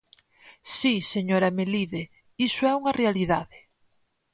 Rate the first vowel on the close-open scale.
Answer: close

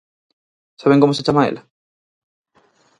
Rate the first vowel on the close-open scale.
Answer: open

